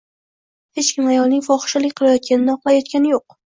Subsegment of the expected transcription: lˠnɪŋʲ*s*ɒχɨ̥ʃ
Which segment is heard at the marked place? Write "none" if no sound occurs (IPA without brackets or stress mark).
f